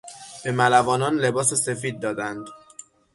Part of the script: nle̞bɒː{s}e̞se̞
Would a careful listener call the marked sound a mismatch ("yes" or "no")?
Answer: no